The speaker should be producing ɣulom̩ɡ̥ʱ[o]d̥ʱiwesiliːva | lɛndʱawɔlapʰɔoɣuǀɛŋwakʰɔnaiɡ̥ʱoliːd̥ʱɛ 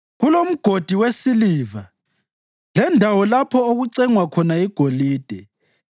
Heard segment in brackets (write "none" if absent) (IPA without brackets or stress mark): o